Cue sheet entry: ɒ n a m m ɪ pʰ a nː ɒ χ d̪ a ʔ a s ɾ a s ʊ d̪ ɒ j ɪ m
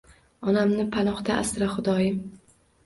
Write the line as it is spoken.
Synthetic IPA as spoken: ɒ n a m n ɪ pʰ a n ɒ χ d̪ a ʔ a s ɾ a χ ʊ d̪ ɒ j ɪ m

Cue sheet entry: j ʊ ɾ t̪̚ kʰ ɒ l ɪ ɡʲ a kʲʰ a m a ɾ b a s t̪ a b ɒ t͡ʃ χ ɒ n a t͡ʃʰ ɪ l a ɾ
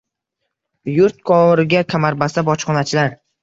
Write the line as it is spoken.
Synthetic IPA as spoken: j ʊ ɾ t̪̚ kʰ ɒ ɾ ɪ ɡʲ a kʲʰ a m a ɾ b a s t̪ a b ɒ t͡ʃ χ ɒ n a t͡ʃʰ ɪ l a ɾ

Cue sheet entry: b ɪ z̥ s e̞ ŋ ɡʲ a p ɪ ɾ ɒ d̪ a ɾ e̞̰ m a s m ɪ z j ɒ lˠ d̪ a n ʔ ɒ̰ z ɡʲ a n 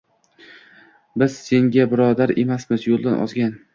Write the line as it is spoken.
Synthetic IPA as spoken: b ɪ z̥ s e̞ ŋ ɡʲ a b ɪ ɾ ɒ d̪ a ɾ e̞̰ m a s m ɪ z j o lˠ d̪ a n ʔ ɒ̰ z ɡʲ a n

